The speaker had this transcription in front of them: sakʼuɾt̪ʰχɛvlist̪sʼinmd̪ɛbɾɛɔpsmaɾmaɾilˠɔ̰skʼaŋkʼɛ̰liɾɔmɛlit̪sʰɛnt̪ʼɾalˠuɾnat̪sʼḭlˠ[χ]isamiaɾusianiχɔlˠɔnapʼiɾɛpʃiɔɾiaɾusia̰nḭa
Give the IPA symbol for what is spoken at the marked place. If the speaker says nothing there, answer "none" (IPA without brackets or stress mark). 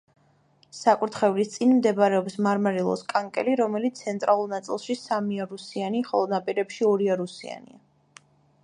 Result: ʃ